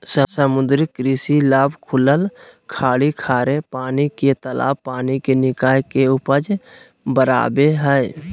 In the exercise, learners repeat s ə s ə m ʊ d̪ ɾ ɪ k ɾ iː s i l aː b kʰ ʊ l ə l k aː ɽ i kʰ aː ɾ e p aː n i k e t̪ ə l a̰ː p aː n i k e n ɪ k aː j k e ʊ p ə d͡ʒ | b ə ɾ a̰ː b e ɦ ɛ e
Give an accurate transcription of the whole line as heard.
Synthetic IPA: s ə s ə m ʊ d̪ ɾ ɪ k ɾ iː s i l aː b kʰ ʊ l ə l kʰ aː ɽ i kʰ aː ɾ e p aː n i k e t̪ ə l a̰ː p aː n i k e n ɪ k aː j k e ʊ p ə d͡ʒ | b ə ɾ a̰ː b e ɦ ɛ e